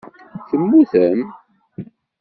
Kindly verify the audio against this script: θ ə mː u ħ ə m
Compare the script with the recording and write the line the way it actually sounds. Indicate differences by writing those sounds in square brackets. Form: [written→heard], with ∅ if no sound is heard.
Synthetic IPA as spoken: θ ə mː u [ħ→θ] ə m